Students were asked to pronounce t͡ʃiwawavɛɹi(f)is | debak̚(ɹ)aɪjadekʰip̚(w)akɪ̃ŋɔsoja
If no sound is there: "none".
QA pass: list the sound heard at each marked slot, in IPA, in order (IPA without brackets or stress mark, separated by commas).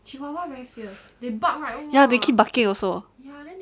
f, ɹ, b